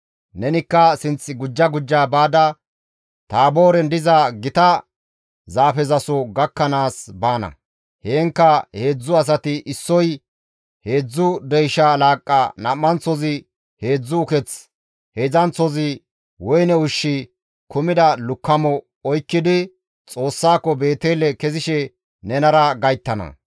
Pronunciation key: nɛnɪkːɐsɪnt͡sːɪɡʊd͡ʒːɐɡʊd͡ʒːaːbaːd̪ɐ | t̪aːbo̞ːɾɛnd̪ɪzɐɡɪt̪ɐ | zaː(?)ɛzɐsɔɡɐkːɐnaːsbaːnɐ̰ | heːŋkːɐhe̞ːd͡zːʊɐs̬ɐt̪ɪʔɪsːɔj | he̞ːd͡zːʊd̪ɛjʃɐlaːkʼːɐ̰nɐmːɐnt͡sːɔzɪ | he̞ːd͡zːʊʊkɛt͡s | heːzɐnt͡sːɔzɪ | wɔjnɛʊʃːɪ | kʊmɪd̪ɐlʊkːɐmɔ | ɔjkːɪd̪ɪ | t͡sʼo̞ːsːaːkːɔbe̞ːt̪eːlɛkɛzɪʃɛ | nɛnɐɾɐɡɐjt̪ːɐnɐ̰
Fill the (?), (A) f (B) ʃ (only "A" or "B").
A